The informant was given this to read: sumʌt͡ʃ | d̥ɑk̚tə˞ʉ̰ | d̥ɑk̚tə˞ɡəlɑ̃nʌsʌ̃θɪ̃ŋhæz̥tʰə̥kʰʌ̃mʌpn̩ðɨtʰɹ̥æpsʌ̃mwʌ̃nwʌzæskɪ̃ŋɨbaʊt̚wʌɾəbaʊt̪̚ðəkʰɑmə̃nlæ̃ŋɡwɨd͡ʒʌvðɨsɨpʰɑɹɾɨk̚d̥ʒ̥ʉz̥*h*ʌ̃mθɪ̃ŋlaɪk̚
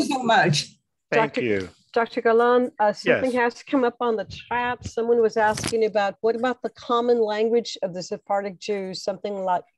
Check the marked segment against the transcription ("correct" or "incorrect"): incorrect